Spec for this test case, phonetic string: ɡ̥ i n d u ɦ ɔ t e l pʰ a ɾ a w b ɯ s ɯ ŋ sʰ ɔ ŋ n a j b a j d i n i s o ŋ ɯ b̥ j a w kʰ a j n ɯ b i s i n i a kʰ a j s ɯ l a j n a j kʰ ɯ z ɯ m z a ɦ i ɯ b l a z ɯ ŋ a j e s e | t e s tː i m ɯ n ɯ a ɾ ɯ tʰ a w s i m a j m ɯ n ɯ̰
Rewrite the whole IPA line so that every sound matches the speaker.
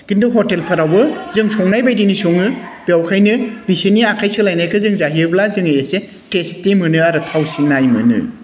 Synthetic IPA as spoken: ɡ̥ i n d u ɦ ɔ t e l pʰ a ɾ a w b ɯ z ɯ ŋ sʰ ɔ ŋ n a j b a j d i n i s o ŋ ɯ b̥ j a w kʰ a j n ɯ b i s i n i a kʰ a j s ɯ l a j n a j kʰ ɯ z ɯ ŋ z a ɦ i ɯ b l a z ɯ ŋ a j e s e | t e s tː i m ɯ n ɯ a ɾ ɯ tʰ a w s i n a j m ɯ n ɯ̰